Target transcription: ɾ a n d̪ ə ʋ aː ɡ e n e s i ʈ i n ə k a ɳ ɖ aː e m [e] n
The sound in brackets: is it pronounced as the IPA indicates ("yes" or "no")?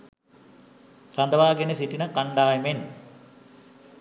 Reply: yes